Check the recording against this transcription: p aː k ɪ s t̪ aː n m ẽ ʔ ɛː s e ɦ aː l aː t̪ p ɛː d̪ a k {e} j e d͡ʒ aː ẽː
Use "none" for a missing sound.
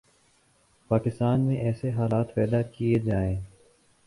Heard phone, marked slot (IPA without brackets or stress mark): i